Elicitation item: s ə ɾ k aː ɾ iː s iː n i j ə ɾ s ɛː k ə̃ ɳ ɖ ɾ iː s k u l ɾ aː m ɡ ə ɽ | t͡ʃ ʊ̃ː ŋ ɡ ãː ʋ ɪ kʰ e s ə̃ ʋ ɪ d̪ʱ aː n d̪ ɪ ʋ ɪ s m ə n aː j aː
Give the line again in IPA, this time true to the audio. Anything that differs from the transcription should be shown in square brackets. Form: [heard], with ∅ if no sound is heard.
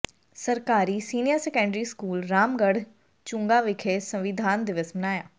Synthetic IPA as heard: s ə ɾ k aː ɾ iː s iː n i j ə ɾ s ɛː k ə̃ ɳ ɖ ɾ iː s k [uː] l ɾ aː m ɡ ə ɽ | t͡ʃ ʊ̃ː ŋ ɡ [aː] ʋ ɪ kʰ e s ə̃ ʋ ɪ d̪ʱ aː n d̪ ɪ ʋ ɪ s m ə n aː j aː